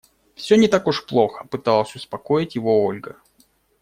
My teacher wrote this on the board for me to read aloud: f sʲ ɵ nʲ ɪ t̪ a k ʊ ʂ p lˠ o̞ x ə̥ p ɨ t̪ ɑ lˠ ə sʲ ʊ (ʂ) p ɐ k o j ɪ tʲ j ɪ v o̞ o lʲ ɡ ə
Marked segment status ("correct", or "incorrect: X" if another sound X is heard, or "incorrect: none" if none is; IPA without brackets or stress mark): incorrect: s